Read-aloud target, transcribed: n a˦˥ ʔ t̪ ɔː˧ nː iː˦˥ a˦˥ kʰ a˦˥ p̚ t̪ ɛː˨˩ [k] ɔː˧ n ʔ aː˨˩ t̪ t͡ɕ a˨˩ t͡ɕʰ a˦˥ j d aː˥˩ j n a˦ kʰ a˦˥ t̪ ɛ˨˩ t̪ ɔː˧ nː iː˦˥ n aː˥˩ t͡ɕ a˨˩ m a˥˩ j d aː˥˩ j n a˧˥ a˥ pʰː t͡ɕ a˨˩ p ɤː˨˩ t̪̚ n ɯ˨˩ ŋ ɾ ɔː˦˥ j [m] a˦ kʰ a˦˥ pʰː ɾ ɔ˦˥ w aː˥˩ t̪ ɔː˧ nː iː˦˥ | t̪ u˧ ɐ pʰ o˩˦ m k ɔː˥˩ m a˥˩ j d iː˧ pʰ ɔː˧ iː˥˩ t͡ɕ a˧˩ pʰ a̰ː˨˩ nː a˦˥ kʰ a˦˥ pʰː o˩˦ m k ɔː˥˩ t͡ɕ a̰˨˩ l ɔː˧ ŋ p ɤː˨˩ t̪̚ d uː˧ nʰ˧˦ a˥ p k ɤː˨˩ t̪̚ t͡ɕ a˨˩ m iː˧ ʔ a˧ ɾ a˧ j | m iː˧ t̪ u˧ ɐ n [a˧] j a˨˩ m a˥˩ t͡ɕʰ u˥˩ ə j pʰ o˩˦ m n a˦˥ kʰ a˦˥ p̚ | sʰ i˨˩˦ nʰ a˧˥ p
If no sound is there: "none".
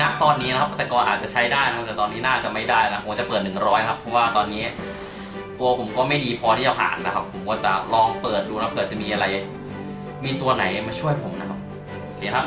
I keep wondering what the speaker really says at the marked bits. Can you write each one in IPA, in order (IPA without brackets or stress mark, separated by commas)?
k, n, a˩˦